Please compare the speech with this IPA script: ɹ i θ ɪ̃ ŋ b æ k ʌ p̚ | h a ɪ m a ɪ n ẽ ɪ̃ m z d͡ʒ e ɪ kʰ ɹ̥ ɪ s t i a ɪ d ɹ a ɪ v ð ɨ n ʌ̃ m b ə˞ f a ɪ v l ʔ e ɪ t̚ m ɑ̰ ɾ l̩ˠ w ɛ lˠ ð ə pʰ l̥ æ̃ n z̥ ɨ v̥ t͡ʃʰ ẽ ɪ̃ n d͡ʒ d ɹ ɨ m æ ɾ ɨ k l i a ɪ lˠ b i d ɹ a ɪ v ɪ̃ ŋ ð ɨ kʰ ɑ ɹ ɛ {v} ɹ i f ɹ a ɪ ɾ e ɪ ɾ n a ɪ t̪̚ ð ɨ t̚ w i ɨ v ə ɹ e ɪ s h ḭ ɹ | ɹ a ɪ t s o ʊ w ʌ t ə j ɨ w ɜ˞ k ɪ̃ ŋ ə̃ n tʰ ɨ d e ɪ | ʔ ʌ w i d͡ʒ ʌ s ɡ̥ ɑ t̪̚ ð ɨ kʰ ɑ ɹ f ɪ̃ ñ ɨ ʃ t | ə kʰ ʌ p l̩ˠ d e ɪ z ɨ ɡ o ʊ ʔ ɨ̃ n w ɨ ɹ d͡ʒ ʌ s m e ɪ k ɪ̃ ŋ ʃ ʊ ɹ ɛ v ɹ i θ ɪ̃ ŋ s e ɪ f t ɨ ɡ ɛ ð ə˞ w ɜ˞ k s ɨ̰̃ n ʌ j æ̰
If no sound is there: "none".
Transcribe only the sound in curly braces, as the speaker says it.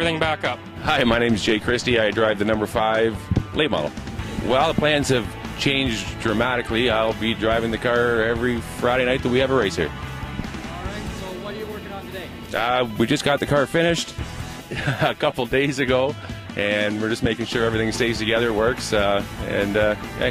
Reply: v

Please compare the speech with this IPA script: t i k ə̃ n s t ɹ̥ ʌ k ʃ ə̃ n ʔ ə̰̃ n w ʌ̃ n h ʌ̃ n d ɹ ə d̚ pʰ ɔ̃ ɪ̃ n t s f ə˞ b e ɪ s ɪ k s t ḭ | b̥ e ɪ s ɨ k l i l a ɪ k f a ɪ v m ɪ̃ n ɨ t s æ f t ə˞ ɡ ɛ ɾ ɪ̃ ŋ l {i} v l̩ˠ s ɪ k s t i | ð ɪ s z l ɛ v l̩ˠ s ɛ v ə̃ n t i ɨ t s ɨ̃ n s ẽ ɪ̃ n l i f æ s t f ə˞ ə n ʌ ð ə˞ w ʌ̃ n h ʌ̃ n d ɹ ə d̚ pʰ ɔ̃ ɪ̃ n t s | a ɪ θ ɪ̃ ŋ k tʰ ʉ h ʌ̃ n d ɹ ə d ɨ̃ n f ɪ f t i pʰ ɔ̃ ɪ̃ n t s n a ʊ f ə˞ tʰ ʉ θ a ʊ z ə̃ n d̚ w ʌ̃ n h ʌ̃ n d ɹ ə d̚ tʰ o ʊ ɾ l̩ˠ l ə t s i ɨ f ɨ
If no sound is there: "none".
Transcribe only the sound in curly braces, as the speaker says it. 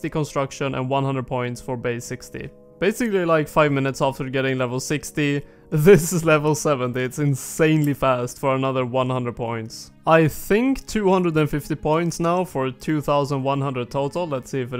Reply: ɛ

